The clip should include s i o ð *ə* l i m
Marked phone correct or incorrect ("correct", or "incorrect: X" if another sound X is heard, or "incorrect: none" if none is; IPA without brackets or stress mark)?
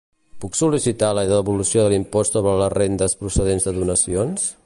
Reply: correct